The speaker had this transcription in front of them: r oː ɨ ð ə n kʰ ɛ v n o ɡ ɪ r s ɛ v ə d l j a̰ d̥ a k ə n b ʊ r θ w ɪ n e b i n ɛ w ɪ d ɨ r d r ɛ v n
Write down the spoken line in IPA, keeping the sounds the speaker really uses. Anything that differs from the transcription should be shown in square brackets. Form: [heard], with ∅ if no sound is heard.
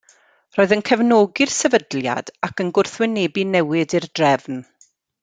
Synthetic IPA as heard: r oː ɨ ð ə n kʰ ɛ v n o ɡ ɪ r s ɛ v ə d l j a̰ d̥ a k ə n [ɡ] ʊ r θ w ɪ n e b i n ɛ w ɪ d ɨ r d r ɛ v n